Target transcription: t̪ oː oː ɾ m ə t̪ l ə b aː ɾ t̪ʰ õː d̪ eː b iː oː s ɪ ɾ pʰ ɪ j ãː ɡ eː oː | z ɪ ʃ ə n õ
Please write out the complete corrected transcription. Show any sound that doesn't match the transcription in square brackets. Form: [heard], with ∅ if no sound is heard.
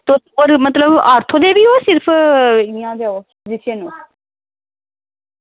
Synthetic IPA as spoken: t̪ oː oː ɾ m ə t̪ l ə b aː ɾ t̪ʰ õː d̪ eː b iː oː s ɪ ɾ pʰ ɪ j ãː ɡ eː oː | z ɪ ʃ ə n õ